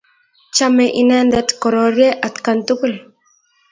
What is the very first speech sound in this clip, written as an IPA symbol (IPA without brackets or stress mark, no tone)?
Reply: t͡ʃ